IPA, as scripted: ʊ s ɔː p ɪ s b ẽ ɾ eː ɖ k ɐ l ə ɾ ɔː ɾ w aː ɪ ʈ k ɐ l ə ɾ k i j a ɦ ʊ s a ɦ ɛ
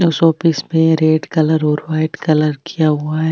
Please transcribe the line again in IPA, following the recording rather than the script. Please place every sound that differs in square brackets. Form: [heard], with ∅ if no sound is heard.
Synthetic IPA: ʊ s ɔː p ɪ s [m] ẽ ɾ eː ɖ k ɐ l ə ɾ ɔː ɾ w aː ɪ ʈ k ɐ l ə ɾ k i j a ɦ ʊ [∅] a ɦ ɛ

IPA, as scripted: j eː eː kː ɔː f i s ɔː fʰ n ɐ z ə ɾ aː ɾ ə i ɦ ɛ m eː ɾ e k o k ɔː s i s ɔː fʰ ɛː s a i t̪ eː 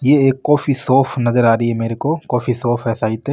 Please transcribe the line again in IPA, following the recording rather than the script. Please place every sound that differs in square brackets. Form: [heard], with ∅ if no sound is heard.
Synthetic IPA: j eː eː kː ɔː f i s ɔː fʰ n ɐ z ə ɾ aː ɾ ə i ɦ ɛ m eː ɾ e k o k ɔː [f] i s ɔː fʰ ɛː s a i t̪ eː

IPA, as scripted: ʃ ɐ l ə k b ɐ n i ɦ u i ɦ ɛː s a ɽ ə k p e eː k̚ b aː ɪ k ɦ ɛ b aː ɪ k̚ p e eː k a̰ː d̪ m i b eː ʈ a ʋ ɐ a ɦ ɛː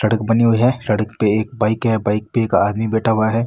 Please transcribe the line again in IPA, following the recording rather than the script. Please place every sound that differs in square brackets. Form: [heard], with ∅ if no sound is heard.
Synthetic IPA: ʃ ɐ [ɽ] ə k b ɐ n i ɦ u i ɦ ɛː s [ɐ] ɽ ə k p e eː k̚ b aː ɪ k ɦ ɛ b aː ɪ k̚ p e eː k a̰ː d̪ m i b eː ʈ a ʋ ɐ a ɦ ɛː

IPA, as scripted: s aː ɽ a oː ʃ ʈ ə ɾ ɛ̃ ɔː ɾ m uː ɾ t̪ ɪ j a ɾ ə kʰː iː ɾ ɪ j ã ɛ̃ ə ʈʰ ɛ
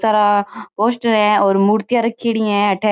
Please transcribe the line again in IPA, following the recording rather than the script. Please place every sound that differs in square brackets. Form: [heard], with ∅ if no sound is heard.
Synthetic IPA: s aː [ɾ] a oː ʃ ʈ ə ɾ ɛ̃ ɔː ɾ m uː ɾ t̪ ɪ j a ɾ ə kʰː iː [ɽ] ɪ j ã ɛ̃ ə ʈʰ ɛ

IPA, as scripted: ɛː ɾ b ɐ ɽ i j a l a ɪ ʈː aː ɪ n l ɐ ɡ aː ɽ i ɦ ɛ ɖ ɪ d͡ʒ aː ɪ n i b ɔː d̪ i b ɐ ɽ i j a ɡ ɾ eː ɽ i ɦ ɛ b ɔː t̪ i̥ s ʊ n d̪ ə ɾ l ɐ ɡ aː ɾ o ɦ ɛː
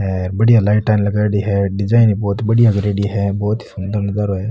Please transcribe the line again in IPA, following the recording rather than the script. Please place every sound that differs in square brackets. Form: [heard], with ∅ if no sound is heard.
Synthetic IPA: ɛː ɾ b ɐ ɽ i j a l a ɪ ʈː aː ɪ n l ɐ ɡ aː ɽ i ɦ ɛ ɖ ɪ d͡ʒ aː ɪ n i b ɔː [t̪] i b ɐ ɽ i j a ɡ ɾ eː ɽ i ɦ ɛ b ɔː t̪ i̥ s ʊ n d̪ ə ɾ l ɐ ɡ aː ɾ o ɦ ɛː

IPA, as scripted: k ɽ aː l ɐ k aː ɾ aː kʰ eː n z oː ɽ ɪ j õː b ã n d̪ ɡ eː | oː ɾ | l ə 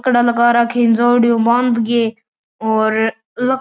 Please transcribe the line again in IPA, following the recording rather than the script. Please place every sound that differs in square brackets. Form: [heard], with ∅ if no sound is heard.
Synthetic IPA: k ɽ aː l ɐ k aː ɾ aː kʰ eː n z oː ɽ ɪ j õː b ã n d̪ ɡ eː | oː ɾ | l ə

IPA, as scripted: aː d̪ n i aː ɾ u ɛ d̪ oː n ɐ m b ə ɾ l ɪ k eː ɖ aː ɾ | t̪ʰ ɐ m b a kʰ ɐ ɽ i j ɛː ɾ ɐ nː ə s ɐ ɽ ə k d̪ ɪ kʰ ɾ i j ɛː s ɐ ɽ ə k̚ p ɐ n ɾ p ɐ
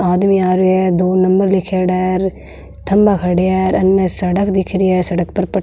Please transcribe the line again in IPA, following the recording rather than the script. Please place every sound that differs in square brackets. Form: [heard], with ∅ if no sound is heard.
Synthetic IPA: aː d̪ [m] i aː ɾ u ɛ d̪ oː n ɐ m b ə ɾ l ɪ [kʰ] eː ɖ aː ɾ | t̪ʰ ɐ m b a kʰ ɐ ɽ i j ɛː ɾ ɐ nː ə s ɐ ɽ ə k d̪ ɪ kʰ ɾ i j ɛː s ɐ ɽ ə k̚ p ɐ [∅] ɾ p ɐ

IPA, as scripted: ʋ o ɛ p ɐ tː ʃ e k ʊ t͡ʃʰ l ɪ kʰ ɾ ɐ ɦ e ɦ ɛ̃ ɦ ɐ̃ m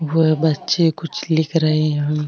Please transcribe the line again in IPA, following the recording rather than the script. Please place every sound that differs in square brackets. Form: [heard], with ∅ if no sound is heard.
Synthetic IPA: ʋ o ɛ [b] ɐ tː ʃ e k ʊ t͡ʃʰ l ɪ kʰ ɾ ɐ ɦ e ɦ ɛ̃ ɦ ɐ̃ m

